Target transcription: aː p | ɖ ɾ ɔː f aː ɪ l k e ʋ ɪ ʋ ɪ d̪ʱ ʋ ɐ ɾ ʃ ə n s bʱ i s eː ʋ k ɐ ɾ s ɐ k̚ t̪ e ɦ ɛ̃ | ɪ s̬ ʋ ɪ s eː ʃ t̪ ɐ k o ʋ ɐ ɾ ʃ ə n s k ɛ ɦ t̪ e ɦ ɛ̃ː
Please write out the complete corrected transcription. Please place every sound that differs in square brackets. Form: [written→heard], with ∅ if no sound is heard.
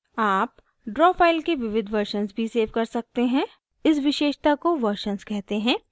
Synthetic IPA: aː p | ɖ ɾ ɔː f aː ɪ l k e ʋ ɪ ʋ ɪ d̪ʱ ʋ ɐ ɾ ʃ ə n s bʱ i s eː ʋ k ɐ ɾ s ɐ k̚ t̪ e ɦ ɛ̃ | ɪ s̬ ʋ ɪ [s→ʃ] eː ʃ t̪ [ɐ→a] k o ʋ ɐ ɾ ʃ ə n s k ɛ ɦ t̪ e ɦ ɛ̃ː